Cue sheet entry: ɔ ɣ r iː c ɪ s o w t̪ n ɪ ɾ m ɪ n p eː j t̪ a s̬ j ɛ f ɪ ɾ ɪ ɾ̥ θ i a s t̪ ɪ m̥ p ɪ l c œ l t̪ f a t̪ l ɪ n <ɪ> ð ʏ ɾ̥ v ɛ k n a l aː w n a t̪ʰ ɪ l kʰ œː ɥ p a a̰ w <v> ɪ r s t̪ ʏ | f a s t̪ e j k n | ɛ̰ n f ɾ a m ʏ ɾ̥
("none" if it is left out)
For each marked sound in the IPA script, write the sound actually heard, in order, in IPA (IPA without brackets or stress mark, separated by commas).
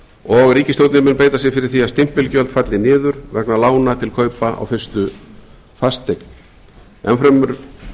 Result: ɪː, f